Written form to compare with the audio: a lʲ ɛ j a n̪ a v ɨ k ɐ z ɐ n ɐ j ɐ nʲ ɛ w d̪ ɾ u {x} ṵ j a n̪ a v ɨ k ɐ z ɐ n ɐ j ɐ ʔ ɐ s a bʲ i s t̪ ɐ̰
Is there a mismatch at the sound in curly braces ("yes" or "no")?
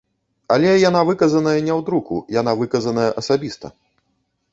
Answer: yes